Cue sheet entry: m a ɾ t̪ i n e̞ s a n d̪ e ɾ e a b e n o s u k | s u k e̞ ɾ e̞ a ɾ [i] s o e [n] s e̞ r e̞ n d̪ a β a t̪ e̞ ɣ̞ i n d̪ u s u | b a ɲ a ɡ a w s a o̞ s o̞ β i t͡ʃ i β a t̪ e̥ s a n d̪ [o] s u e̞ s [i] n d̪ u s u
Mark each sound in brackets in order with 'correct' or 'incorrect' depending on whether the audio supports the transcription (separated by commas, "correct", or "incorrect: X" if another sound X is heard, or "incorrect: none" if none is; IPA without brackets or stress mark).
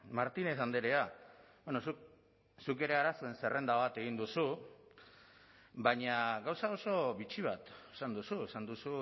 incorrect: a, correct, incorrect: u, incorrect: a